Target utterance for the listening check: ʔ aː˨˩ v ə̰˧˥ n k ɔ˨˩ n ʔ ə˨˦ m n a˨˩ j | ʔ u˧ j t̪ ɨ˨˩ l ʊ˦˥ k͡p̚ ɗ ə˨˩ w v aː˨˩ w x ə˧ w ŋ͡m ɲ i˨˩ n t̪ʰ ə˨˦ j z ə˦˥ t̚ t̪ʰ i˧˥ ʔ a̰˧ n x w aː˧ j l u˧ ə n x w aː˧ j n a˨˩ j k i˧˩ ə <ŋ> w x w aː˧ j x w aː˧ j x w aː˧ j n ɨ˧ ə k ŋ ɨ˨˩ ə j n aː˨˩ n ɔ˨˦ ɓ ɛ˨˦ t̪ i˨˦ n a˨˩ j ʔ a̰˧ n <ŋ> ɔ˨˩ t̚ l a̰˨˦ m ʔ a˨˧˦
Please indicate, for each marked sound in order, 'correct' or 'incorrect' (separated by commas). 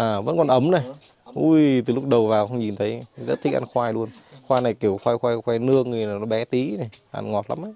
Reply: incorrect, correct